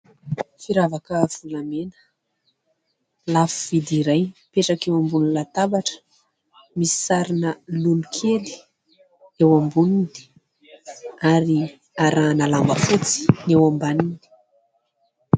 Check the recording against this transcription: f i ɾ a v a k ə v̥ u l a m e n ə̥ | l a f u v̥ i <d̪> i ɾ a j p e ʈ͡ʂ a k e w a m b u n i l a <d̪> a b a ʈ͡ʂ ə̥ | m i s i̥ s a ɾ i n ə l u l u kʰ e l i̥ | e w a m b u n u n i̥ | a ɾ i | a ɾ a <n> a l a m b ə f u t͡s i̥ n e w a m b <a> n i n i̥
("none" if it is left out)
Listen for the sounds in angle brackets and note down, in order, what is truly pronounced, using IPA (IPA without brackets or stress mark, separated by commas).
d̪, t̪, n, a